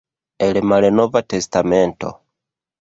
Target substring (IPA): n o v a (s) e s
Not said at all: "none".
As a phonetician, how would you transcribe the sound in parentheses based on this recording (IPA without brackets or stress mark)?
t